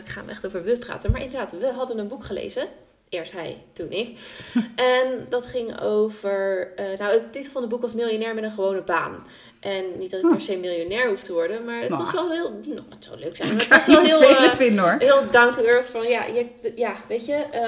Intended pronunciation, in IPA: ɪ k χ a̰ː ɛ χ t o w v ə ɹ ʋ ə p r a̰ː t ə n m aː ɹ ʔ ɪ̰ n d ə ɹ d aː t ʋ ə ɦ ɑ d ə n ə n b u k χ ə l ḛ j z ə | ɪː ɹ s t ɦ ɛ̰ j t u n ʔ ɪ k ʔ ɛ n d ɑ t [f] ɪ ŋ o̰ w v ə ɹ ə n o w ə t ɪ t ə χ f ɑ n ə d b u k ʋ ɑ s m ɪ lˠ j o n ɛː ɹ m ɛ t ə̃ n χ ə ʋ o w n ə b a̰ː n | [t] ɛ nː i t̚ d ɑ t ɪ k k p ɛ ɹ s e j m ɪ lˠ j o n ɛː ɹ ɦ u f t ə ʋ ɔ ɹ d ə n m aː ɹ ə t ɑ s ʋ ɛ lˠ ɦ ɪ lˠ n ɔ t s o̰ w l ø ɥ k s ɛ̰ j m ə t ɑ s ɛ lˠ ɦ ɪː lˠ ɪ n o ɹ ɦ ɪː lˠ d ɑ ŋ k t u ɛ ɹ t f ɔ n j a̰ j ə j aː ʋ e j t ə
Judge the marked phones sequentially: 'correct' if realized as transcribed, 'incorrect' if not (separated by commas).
incorrect, incorrect